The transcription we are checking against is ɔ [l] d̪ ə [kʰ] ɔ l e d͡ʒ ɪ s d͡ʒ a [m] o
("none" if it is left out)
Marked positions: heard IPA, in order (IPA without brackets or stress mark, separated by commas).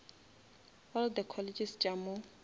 l, kʰ, m